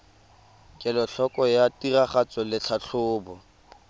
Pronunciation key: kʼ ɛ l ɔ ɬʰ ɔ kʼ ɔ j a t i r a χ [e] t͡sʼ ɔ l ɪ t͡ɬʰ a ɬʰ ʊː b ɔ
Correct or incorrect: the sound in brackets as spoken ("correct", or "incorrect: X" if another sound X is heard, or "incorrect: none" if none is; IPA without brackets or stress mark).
incorrect: a